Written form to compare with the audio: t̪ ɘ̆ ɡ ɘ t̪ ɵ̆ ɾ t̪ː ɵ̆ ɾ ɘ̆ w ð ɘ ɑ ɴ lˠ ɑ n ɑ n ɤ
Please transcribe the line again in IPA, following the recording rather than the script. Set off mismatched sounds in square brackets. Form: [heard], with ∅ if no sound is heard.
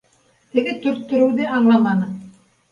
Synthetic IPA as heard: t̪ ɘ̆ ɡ ɘ t̪ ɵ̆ ɾ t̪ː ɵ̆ ɾ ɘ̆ w ð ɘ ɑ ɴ lˠ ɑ [m] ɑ n ɤ